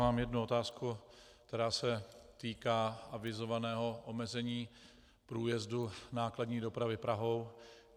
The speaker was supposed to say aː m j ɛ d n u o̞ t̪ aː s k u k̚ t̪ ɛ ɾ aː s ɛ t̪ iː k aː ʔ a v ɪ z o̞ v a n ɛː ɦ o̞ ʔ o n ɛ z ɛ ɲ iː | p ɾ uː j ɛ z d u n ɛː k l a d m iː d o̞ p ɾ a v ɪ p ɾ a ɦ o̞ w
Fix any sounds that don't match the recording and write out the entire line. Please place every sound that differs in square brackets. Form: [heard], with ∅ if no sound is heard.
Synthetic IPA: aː m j ɛ d n u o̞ t̪ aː s k u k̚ t̪ ɛ ɾ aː s ɛ t̪ iː k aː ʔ a v ɪ z o̞ v a n ɛː ɦ o̞ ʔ o [m] ɛ z ɛ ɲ iː | p ɾ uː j ɛ z d u n [aː] k l a d [ɲ] iː d o̞ p ɾ a v ɪ p ɾ a ɦ o̞ w